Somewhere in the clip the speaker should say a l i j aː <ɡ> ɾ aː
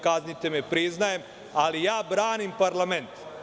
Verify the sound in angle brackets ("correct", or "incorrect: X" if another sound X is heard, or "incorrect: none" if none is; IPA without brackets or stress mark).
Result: incorrect: b